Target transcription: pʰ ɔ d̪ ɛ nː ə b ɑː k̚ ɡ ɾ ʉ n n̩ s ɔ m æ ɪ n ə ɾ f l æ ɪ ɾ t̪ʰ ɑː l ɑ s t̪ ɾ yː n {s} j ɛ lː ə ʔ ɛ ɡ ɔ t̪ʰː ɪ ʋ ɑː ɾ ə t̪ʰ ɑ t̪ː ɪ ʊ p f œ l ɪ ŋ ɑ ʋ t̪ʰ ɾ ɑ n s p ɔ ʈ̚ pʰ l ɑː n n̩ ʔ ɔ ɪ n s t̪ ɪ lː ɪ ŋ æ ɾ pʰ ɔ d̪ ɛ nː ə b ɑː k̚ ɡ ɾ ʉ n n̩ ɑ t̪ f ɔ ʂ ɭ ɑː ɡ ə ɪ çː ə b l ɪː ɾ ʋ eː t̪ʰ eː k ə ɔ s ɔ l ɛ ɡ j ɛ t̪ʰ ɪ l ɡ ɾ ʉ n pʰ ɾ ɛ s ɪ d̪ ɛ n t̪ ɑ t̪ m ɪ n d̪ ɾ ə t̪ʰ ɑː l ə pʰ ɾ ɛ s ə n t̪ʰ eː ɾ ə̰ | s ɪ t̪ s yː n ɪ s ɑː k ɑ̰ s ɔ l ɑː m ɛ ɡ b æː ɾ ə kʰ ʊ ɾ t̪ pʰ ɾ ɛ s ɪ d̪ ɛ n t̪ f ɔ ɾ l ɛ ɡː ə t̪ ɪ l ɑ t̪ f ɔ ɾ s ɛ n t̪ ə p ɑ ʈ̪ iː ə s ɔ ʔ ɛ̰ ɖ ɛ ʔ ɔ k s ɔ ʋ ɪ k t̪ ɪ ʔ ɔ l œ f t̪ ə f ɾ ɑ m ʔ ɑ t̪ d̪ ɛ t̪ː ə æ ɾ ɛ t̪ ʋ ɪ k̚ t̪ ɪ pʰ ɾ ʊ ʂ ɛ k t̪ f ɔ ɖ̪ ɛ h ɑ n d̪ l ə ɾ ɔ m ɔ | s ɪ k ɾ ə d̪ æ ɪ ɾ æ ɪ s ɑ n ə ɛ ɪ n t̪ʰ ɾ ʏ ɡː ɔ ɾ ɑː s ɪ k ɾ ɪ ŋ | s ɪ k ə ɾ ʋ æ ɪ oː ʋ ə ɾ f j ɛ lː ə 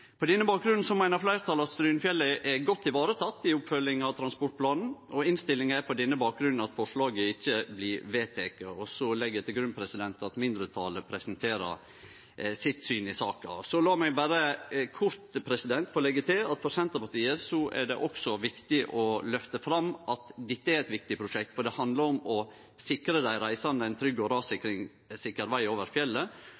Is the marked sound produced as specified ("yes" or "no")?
no